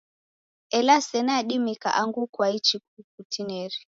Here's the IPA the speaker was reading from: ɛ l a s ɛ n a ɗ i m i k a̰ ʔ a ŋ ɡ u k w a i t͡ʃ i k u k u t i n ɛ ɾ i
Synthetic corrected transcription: ɛ l a s ɛ n a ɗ i m i k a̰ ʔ a ŋ ɡ u k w a i t͡ʃ i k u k u t i n ɛ ɾ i

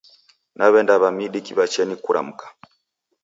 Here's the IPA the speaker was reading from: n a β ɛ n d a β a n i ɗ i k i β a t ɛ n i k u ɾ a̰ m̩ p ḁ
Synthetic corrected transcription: n a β ɛ n d a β a m i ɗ i k i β a t͡ʃ ɛ n i k u ɾ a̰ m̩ k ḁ

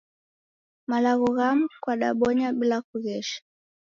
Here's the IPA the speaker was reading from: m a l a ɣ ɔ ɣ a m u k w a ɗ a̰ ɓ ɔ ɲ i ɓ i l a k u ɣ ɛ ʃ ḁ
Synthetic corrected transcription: m a l a ɣ ɔ ɣ a m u k w a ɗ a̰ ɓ ɔ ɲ a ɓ i l a k u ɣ ɛ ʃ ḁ

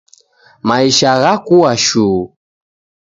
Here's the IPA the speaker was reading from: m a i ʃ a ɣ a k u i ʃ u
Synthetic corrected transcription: m a i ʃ a ɣ a k u a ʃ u

